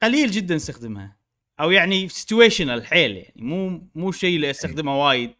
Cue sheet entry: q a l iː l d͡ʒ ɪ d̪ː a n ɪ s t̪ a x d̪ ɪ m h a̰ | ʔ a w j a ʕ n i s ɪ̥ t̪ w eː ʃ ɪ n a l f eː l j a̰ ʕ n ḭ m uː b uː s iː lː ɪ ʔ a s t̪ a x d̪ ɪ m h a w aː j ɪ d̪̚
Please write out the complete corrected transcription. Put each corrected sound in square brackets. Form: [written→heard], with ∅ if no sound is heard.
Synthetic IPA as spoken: q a l iː l d͡ʒ ɪ d̪ː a n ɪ s t̪ a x d̪ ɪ m h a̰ | ʔ a w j a ʕ n i s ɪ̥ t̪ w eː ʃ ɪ n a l [f→ħ] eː l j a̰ ʕ n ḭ m uː [b→m] uː [s→ʃ] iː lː [ɪ→i] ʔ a s t̪ a x d̪ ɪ m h a w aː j ɪ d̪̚